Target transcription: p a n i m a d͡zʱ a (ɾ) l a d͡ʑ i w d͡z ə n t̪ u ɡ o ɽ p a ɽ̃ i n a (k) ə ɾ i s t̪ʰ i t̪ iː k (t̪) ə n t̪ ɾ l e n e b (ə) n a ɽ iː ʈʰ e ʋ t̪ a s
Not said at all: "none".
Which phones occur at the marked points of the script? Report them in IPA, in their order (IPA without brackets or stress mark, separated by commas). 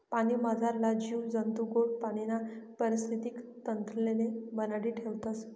ɾ, p, t̪, ə